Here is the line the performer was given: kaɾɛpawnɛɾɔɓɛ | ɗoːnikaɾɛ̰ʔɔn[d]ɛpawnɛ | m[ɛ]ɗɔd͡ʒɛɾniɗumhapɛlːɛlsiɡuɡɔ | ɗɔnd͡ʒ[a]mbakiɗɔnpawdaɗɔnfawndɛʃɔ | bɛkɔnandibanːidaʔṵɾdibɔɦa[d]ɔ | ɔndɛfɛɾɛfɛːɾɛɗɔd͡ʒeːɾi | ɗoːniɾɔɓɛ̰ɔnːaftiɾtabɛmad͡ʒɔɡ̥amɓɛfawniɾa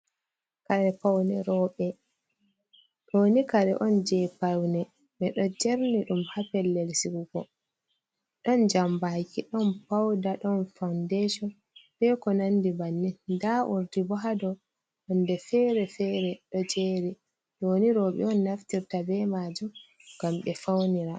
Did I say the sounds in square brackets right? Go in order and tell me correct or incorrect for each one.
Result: incorrect, correct, correct, correct

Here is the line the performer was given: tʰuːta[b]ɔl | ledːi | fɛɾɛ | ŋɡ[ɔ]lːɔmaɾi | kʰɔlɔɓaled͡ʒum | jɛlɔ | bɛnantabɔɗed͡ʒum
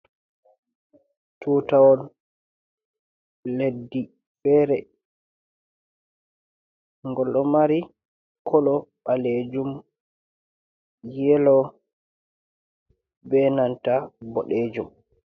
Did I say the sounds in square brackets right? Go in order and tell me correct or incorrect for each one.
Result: incorrect, correct

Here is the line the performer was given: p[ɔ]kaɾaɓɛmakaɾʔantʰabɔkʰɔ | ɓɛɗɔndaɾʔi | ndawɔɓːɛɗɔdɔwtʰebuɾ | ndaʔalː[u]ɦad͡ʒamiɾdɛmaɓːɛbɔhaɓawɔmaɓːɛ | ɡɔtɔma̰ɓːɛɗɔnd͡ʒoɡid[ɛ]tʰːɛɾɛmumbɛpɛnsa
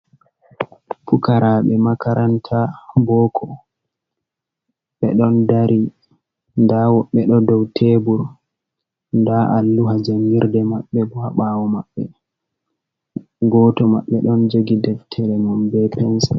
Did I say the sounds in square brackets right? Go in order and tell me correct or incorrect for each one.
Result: incorrect, correct, correct

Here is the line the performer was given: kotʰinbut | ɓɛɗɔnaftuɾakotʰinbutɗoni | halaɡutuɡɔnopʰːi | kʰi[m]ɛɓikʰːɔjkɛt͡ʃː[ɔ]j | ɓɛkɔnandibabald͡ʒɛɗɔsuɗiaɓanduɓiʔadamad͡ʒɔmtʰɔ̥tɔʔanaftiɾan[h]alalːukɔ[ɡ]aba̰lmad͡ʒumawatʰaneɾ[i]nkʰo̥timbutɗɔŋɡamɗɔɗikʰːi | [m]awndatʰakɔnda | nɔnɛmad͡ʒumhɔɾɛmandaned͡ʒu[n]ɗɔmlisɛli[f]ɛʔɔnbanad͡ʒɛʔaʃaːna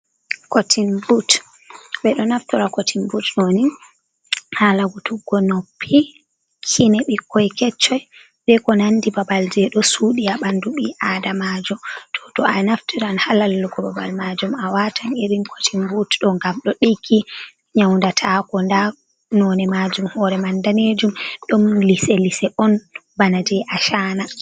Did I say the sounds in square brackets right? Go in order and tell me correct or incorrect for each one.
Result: incorrect, correct, correct, incorrect, correct, incorrect, incorrect, incorrect

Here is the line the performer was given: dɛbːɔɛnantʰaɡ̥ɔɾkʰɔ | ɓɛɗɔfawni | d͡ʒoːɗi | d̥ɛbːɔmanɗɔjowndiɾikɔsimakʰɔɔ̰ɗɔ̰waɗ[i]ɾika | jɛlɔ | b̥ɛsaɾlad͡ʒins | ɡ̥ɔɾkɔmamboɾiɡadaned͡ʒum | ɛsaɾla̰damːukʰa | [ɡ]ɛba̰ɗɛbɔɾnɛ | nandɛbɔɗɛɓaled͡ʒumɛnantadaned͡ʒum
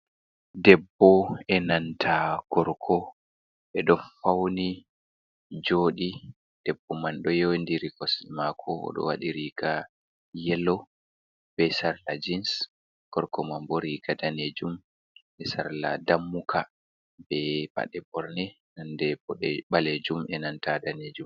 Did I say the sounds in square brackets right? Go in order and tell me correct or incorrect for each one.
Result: correct, incorrect

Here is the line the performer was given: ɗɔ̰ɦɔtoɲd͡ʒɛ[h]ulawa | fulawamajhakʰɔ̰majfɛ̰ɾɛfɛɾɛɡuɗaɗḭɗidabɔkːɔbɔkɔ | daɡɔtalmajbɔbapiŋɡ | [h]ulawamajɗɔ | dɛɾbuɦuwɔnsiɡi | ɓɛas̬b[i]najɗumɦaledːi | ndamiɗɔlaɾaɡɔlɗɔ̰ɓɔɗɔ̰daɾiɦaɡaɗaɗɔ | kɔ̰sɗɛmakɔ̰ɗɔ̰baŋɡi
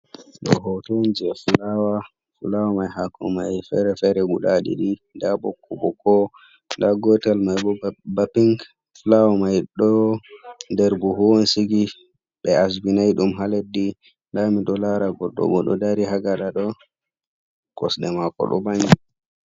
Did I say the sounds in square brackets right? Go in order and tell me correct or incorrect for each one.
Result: incorrect, incorrect, correct

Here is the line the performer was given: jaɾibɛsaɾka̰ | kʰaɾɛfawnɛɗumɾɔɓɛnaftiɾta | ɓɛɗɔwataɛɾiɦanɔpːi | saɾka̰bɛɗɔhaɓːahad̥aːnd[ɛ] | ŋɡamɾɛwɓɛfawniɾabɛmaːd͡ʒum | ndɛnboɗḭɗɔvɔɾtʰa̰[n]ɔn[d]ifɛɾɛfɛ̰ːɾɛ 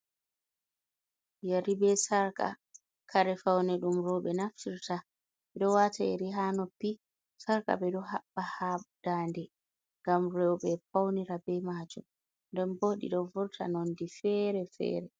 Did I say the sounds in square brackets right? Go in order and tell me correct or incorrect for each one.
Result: correct, correct, correct

